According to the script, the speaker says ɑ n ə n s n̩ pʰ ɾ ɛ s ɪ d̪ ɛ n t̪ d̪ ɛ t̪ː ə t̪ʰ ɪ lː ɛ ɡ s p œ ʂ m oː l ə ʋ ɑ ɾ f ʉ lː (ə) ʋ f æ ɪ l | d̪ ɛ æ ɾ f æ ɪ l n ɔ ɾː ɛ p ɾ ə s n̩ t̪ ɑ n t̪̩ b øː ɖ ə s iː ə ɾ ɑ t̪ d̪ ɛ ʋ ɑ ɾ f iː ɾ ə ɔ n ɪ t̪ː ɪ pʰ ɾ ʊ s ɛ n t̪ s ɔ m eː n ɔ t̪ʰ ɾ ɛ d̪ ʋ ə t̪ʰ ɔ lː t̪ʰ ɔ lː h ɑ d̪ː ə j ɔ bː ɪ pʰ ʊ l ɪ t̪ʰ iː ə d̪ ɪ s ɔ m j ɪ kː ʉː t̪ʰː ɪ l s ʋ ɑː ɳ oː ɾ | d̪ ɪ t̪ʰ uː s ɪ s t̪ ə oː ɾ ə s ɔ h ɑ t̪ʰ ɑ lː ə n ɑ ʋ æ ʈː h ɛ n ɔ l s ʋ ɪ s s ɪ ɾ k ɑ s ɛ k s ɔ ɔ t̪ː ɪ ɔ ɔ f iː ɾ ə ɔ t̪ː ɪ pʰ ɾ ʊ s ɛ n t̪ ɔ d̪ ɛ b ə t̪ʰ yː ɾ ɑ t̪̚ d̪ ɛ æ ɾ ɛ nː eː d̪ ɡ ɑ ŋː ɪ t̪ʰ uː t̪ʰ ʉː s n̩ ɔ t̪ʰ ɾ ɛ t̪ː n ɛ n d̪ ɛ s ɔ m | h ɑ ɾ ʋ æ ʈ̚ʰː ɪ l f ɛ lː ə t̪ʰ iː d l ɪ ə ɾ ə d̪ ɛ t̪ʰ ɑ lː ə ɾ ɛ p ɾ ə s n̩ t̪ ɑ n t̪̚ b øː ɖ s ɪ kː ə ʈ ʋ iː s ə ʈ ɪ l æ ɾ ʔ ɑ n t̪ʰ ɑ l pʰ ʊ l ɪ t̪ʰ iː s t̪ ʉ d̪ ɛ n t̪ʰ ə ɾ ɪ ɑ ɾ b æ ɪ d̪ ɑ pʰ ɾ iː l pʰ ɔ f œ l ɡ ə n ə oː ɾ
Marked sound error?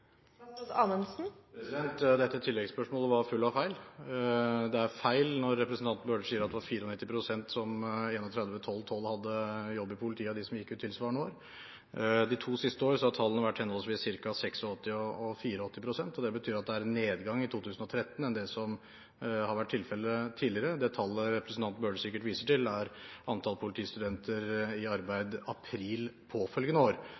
yes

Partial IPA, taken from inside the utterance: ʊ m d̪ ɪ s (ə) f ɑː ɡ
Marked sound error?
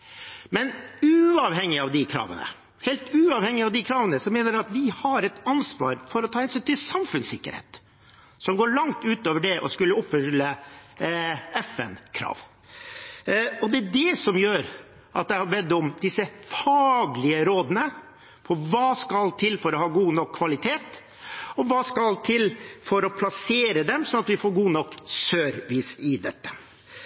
no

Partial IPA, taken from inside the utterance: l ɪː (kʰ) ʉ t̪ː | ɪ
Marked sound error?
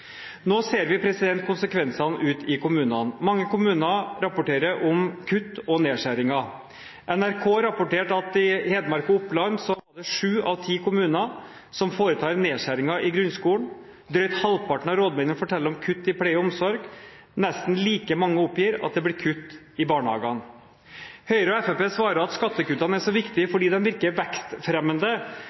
no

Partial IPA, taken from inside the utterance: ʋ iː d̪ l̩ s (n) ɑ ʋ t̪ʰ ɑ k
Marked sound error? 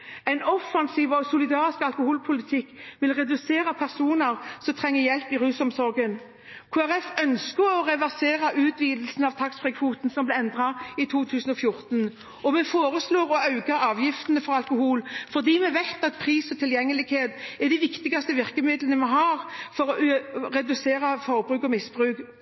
no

